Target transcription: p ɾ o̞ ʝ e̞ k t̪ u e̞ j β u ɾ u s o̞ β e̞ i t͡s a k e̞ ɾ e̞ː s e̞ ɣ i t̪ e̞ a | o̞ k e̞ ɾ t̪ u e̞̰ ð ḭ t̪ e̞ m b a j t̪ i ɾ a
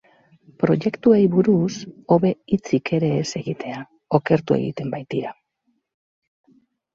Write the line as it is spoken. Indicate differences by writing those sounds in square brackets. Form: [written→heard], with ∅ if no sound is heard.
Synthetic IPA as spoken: p ɾ o̞ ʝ e̞ k t̪ u e̞ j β u ɾ u s o̞ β e̞ i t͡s [a→i] k e̞ ɾ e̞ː s e̞ ɣ i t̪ e̞ a | o̞ k e̞ ɾ t̪ u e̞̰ [ð→ɣ] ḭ t̪ e̞ m b a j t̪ i ɾ a